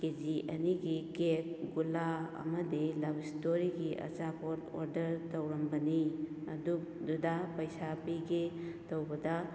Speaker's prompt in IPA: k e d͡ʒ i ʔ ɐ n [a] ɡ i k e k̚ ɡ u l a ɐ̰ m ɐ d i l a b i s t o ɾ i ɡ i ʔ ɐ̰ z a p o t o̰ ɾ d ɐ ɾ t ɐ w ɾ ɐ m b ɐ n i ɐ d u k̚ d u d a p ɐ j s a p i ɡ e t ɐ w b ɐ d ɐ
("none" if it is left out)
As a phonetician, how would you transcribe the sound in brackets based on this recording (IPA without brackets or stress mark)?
i